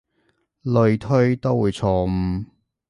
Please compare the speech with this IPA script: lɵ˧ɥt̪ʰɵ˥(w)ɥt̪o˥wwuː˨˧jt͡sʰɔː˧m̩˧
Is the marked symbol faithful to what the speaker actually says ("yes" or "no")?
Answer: no